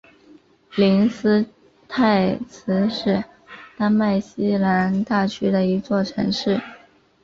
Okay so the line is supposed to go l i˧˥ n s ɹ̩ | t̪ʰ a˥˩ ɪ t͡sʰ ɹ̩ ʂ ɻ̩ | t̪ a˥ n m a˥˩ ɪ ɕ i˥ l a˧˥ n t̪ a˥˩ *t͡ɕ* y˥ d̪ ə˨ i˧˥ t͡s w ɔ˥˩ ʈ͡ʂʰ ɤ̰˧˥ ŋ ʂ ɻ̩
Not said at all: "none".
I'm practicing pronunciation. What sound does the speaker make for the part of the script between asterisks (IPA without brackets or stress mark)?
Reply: t͡ɕʰ